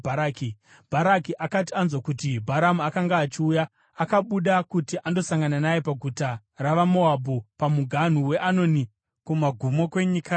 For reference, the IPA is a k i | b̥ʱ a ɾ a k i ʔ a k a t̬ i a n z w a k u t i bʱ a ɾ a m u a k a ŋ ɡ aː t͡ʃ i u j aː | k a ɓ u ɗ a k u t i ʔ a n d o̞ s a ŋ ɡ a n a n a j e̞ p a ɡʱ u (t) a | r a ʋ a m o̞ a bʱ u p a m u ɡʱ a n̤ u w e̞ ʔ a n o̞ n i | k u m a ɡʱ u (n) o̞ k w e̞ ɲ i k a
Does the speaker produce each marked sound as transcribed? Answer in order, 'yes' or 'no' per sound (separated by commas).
yes, no